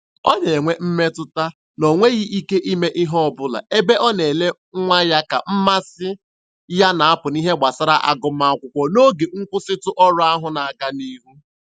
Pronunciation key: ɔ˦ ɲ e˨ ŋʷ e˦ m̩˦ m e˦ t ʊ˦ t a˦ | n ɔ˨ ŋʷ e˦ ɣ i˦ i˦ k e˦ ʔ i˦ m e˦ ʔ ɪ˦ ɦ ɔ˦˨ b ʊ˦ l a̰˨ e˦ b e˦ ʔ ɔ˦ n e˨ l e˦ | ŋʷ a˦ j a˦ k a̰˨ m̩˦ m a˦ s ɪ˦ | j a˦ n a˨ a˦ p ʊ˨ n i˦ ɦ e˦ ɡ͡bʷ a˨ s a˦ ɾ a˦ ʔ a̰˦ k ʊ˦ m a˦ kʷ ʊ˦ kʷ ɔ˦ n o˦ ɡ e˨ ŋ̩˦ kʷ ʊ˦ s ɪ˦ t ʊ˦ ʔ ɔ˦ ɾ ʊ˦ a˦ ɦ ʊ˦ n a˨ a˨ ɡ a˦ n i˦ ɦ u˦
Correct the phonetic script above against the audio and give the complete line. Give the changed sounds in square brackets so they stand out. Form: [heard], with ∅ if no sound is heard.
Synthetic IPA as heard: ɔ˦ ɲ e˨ ŋʷ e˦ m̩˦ m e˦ t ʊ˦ t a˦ | n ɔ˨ ŋʷ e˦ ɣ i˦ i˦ k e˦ ʔ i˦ m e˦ ʔ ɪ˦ ɦ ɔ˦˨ b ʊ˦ l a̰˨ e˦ b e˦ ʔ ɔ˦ n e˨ l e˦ | ŋʷ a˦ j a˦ k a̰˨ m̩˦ m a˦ s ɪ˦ | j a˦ n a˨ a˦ p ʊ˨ n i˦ ɦ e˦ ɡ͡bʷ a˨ s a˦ ɾ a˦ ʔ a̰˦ [ɡ] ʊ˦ m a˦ kʷ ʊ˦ kʷ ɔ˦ n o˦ ɡ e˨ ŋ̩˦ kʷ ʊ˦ s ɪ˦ t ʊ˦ ʔ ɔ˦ ɾ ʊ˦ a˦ ɦ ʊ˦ n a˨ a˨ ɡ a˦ n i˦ ɦ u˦